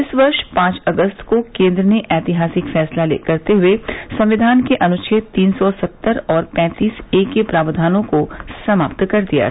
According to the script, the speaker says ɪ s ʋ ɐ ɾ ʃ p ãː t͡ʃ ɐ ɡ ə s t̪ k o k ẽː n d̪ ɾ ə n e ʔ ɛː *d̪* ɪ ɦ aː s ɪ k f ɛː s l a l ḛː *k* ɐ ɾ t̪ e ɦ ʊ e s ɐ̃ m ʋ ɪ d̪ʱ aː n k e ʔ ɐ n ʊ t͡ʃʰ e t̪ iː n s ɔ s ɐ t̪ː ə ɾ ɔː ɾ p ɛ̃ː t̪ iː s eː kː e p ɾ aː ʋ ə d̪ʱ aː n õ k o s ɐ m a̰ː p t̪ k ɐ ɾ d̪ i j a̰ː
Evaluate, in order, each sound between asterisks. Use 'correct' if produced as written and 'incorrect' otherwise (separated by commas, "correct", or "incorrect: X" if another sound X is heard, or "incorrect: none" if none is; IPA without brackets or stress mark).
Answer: incorrect: t̪, correct